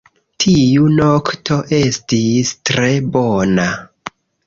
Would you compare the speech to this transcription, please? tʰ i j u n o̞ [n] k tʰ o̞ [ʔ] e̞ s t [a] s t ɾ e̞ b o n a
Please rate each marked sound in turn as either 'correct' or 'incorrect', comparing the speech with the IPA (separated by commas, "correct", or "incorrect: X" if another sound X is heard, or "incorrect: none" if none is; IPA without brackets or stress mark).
incorrect: none, correct, incorrect: i